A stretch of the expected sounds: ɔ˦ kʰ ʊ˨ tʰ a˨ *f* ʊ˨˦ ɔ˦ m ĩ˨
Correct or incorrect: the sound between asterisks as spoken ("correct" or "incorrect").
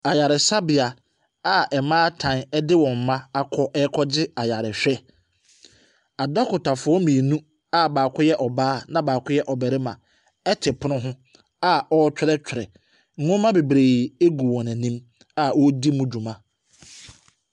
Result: correct